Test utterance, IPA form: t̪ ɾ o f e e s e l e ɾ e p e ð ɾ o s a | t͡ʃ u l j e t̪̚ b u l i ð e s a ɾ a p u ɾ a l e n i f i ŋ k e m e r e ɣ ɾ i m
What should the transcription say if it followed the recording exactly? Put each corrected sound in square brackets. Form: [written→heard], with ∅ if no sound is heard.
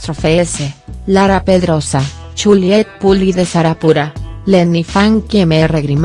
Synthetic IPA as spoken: t̪ ɾ o f e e s e l [e→a] ɾ [e→a] p e ð ɾ o s a | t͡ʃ u l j e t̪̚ [b→p] u l i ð e s a ɾ a p u ɾ a l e n i f [i→a] ŋ k e m e r e ɣ ɾ i m